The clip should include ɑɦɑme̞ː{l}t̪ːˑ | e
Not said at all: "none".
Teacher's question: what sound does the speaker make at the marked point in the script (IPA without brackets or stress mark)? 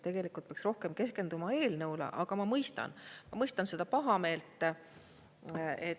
l